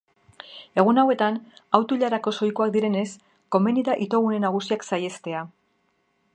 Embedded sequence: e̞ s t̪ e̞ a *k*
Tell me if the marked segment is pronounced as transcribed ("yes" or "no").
no